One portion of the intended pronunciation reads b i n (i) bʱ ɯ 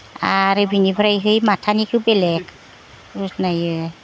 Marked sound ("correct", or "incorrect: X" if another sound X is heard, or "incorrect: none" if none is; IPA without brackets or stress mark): correct